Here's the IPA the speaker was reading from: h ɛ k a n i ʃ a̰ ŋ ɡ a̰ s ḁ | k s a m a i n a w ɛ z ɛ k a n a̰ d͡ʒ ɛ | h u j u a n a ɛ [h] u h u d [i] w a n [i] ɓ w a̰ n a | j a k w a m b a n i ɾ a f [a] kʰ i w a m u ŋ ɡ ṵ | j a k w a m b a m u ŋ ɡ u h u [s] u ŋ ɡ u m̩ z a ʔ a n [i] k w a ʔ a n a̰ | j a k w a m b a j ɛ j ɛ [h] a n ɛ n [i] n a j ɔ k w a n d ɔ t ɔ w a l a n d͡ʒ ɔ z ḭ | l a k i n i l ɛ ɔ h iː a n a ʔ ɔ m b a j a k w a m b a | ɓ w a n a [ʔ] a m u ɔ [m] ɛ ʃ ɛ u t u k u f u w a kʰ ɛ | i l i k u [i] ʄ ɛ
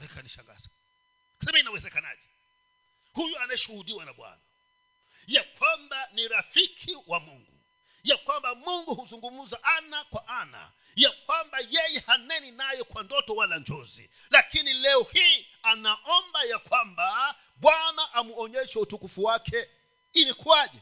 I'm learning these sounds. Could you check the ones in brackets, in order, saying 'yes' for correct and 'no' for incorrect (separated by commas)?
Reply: no, yes, no, no, no, no, yes, yes, yes, no, no